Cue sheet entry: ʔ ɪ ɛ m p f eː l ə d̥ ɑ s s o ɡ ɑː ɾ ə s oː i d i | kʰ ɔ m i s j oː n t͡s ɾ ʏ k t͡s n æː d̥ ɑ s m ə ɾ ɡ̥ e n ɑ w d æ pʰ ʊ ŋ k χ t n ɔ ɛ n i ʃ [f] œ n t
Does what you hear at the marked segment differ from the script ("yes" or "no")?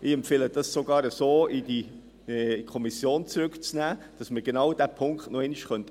yes